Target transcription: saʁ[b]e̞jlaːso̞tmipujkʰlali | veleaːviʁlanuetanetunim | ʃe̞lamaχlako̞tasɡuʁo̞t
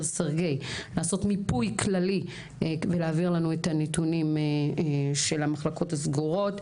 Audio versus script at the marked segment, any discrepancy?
yes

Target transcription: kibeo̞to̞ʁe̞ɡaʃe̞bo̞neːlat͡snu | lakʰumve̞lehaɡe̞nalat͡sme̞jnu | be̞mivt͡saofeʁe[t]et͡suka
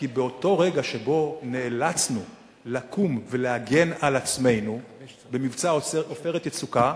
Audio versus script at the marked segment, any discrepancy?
no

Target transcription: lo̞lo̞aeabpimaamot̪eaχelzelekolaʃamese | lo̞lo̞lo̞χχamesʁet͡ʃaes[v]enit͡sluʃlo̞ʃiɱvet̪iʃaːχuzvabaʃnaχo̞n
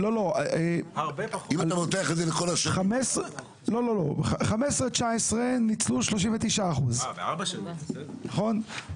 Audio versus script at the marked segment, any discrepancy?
yes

